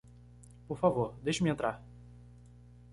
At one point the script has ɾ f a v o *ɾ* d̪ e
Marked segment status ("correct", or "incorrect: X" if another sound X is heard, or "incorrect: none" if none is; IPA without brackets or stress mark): correct